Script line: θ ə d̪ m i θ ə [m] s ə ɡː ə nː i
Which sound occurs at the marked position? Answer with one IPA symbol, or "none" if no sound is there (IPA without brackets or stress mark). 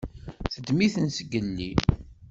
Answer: n